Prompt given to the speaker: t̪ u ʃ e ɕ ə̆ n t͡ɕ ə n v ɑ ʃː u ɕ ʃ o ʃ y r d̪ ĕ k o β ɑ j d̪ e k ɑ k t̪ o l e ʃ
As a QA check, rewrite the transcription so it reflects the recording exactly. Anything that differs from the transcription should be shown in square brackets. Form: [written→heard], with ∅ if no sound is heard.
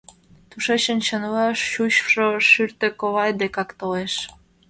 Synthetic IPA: t̪ u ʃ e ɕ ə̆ n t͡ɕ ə n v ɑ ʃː u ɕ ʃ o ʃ y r [d̪→t̪] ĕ k o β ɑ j d̪ e k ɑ k t̪ o l e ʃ